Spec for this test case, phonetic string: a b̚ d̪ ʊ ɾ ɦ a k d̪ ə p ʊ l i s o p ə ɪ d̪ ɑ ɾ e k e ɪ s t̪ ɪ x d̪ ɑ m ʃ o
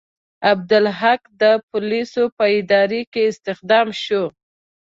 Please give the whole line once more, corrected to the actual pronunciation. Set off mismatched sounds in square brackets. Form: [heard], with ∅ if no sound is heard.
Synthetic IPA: a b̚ d̪ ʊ [l] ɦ a k d̪ ə p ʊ l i s o p ə ɪ d̪ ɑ ɾ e k e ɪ s t̪ ɪ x d̪ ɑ m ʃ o